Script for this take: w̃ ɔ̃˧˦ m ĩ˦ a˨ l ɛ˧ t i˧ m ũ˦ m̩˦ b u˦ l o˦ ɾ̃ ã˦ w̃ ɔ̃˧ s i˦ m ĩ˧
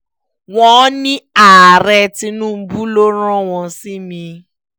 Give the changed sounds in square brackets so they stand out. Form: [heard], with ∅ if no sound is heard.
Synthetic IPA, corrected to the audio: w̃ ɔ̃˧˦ [n] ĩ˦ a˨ [ɾ] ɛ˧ t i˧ [n] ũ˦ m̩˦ b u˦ l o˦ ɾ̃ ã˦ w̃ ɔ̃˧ s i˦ m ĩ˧